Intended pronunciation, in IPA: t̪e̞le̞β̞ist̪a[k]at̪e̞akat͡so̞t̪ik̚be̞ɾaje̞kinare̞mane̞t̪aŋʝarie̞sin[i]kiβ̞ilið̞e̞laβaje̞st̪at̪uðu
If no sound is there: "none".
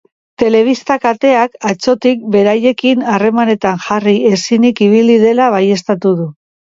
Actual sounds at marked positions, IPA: k, i

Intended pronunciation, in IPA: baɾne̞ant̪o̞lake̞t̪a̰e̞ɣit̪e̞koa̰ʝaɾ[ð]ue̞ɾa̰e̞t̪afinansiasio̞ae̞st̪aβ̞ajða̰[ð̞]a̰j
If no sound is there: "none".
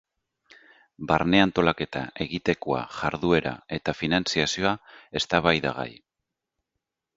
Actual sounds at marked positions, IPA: ð, ɣ̞

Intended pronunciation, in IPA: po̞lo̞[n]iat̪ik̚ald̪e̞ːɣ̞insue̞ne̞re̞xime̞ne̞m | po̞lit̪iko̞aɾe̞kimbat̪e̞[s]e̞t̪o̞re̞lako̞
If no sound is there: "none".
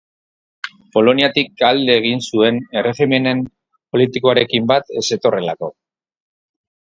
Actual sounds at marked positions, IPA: n, s

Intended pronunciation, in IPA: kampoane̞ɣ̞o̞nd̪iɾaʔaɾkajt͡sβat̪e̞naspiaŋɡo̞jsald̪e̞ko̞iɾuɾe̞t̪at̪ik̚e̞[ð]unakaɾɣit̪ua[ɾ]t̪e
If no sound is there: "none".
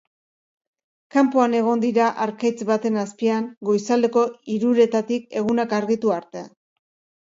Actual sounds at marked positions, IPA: ɣ, ɾ

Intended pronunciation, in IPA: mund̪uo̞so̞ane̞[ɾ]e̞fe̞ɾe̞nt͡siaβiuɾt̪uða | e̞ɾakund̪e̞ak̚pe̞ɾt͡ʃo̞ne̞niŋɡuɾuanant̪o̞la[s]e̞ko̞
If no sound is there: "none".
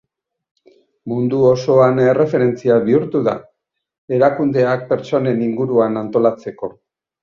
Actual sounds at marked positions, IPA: r, t͡s

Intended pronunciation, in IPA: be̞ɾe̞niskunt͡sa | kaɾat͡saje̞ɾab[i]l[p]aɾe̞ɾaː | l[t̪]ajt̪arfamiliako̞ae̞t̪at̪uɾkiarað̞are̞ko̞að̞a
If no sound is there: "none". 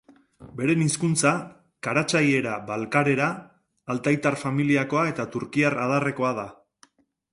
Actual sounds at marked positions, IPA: a, k, t̪

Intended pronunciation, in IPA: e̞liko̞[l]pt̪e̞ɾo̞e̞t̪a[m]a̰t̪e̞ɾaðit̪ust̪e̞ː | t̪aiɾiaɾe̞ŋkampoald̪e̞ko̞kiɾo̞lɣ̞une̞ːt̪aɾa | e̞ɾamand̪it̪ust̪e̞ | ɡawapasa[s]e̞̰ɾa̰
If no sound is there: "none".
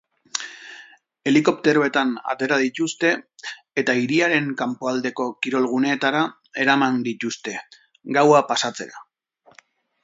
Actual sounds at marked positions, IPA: none, n, t͡s

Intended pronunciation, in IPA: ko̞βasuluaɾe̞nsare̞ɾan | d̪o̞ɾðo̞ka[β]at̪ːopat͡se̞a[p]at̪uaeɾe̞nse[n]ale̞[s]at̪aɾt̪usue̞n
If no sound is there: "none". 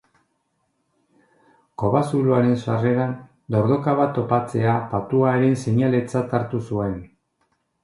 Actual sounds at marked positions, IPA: β, p, ɲ, t͡s

